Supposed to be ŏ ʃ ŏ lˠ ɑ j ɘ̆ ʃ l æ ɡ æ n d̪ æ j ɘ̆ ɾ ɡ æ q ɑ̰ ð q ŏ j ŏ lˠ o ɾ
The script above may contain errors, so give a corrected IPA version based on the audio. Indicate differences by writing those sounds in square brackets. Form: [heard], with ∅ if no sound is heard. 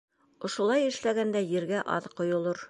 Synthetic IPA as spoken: ŏ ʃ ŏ lˠ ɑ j ɘ̆ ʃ l æ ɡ æ n d̪ æ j ɘ̆ ɾ ɡ æ [ʔ] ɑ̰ ð q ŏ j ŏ lˠ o ɾ